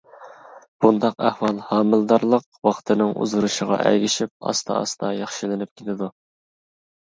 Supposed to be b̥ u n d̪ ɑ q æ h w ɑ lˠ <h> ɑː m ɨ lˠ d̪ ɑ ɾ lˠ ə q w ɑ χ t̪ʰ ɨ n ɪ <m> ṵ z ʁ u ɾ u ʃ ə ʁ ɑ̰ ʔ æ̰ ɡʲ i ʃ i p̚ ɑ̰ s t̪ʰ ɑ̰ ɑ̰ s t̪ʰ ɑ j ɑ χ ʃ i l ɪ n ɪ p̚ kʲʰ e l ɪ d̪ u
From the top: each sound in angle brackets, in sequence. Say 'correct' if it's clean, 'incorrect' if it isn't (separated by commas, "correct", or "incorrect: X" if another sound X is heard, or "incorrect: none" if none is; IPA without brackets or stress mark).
correct, incorrect: ŋ